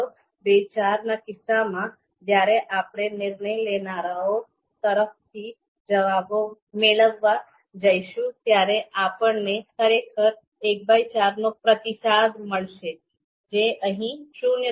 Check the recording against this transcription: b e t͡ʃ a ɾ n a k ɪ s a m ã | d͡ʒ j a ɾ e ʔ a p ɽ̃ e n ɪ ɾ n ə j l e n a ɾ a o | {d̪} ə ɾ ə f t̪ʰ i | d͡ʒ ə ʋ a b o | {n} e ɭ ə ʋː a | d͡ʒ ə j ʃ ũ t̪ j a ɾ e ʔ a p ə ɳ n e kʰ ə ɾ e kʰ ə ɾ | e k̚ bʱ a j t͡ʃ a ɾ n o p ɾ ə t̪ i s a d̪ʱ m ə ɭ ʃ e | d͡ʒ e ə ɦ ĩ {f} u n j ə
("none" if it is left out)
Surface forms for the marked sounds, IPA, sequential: t̪, m, ʃ

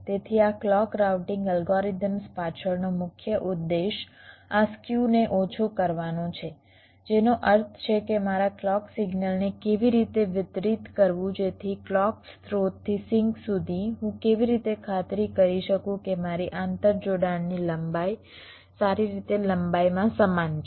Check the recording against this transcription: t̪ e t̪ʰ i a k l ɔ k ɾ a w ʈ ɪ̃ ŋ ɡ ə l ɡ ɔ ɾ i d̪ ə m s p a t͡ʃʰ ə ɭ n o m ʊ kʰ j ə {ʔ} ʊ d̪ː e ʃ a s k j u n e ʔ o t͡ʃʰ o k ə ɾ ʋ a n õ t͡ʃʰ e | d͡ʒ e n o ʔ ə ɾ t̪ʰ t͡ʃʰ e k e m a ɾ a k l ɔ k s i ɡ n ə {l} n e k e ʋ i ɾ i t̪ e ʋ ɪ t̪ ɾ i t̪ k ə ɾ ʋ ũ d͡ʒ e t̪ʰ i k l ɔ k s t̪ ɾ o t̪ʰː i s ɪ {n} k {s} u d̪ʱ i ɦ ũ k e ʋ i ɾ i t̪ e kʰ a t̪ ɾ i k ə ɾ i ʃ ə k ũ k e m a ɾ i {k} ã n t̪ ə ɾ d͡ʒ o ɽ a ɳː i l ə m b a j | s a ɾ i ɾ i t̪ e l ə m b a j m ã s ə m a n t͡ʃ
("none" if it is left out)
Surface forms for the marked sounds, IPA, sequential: ʔ, l, ŋ, s, ʔ

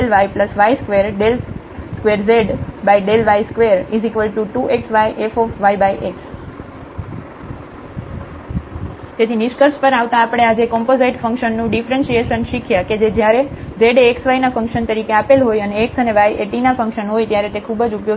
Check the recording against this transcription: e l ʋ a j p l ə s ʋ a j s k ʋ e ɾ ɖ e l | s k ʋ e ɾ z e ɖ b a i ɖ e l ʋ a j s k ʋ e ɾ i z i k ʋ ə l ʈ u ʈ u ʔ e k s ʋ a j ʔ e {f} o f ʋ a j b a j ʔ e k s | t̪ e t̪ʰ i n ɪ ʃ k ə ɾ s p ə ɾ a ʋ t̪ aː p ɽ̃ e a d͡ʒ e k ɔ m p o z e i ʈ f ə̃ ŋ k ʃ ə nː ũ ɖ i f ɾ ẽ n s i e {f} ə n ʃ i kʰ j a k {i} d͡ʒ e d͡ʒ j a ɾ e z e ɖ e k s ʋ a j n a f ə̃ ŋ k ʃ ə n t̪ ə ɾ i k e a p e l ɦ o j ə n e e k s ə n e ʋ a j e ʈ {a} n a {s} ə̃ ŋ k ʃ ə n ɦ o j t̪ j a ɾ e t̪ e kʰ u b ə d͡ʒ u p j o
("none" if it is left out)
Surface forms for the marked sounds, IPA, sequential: f, ʃ, e, i, f

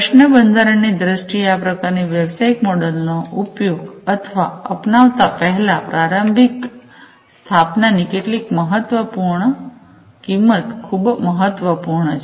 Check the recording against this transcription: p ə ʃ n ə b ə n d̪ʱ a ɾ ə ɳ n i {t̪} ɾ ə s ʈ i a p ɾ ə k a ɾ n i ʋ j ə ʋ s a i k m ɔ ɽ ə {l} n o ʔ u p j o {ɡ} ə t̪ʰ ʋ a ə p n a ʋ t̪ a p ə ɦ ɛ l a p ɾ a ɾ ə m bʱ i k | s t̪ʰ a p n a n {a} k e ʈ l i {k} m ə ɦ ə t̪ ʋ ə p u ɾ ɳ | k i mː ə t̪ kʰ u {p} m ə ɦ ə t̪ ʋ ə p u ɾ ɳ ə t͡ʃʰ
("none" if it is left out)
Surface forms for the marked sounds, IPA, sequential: d̪, l, ɡ, i, k, b

